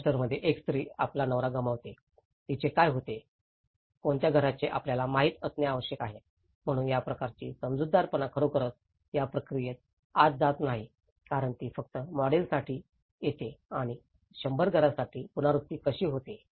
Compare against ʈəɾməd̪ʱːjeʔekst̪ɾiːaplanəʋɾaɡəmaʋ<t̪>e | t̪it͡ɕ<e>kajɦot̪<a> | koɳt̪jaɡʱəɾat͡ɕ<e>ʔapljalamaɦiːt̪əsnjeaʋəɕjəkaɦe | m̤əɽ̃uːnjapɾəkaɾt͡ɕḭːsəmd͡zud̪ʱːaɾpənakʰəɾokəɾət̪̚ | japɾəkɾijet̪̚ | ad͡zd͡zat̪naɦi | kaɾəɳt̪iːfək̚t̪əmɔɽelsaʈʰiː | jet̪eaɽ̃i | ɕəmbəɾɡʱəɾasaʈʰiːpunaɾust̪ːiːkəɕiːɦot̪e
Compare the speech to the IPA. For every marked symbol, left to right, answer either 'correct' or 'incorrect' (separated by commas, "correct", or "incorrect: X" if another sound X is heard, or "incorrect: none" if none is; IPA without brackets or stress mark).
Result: correct, correct, incorrect: e, correct